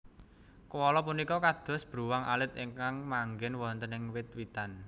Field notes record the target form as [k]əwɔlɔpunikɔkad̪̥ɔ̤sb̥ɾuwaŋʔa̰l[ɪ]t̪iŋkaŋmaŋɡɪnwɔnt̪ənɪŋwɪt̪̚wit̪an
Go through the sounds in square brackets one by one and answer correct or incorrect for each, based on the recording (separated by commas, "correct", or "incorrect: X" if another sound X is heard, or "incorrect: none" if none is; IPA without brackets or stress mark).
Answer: correct, correct